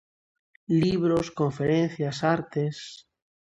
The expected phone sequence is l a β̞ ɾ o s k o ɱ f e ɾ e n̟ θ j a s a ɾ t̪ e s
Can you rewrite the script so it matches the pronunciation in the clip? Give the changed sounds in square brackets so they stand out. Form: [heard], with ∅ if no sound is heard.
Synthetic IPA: l [i] β̞ ɾ o s k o ɱ f e ɾ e n̟ θ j a s a ɾ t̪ e s